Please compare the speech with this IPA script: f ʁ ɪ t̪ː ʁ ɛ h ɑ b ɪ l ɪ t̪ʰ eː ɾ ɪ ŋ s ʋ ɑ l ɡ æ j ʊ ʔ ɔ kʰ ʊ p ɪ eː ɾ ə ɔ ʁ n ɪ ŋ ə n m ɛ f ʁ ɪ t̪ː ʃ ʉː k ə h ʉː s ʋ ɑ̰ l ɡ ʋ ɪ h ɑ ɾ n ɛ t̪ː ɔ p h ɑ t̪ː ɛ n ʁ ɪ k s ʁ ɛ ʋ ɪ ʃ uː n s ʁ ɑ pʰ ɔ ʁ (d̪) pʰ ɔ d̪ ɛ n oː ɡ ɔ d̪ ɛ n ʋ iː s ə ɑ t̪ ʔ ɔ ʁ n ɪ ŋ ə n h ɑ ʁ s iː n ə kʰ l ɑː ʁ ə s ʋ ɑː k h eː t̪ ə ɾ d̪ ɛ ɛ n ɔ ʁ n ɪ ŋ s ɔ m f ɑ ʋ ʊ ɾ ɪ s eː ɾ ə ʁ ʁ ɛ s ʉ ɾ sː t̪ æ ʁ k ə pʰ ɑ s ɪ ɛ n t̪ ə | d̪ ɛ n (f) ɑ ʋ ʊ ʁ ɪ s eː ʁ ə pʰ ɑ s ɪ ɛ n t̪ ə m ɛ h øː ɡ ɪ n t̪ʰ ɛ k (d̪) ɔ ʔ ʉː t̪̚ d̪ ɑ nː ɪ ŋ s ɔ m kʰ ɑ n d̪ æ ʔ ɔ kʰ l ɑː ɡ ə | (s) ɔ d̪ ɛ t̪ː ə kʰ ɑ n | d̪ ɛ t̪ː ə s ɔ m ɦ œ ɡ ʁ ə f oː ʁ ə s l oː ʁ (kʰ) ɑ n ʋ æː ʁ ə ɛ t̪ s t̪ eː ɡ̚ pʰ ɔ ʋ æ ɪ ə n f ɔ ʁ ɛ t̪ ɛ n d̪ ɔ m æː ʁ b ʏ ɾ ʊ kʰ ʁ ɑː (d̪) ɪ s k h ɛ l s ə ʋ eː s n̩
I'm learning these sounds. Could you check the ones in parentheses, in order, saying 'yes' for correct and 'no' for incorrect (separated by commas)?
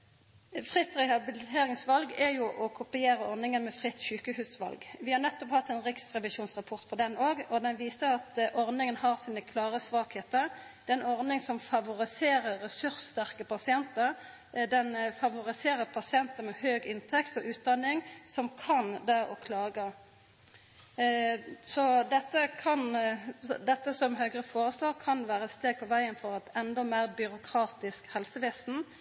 no, yes, no, yes, yes, no